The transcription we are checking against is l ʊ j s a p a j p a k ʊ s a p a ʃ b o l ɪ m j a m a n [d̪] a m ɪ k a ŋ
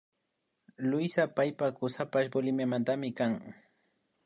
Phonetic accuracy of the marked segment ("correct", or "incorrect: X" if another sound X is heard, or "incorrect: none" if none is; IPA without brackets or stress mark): incorrect: t̪